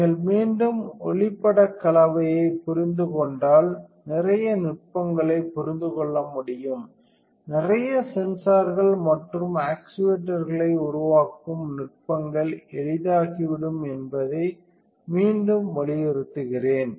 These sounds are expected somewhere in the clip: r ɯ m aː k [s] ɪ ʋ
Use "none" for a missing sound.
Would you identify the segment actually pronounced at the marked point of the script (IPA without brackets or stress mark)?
s